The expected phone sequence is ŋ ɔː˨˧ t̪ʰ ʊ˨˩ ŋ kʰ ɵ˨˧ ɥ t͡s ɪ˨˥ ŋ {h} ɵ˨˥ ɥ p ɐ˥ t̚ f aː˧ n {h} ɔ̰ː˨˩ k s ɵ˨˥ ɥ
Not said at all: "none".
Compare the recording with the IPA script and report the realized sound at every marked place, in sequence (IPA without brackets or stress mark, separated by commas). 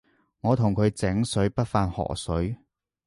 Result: s, h